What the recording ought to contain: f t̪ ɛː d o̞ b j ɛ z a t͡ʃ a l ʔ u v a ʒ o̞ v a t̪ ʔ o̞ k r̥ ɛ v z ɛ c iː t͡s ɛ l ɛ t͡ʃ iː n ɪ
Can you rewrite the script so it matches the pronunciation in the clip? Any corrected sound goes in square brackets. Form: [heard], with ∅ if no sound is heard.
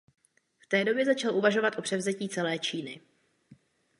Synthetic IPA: f t̪ ɛː d o̞ b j ɛ z a t͡ʃ a l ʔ u v a ʒ o̞ v a t̪ ʔ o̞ [p] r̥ ɛ v z ɛ c iː t͡s ɛ l [ɛː] t͡ʃ iː n ɪ